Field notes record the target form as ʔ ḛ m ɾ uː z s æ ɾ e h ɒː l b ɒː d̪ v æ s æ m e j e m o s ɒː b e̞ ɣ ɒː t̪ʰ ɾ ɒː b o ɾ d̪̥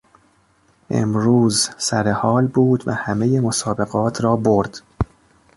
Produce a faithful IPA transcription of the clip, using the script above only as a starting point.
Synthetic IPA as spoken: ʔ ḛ m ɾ uː z s æ ɾ e h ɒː l b uː d̪ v æ h æ m e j e m o s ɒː b e̞ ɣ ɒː t̪ʰ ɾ ɒː b o ɾ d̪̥